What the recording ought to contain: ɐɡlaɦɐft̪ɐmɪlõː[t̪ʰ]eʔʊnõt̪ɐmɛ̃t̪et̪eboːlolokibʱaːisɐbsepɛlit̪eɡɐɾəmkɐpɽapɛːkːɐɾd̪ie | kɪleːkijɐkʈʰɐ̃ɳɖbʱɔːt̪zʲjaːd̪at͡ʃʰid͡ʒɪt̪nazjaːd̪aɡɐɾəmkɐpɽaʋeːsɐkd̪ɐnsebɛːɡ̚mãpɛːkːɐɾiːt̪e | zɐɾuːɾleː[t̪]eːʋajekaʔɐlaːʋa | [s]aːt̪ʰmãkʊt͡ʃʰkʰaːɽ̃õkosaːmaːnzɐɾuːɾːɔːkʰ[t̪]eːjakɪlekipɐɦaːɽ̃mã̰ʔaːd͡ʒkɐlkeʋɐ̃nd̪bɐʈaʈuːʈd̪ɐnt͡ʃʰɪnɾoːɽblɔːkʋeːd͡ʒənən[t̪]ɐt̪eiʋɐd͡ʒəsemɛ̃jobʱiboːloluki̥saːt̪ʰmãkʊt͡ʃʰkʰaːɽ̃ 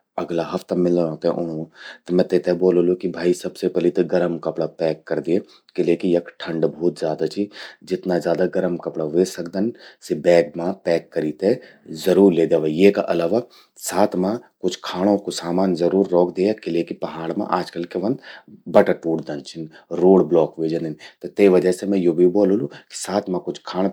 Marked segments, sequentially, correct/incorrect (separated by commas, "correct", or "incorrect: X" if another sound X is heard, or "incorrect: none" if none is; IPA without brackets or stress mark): incorrect: t̪, incorrect: d̪, correct, incorrect: d̪, correct